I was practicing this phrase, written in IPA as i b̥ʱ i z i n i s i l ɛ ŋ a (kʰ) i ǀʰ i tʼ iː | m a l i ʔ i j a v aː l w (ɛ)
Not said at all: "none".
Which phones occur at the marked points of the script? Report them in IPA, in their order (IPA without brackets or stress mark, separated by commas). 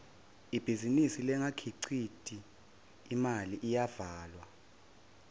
kʰ, a